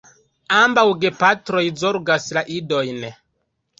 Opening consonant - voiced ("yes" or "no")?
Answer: yes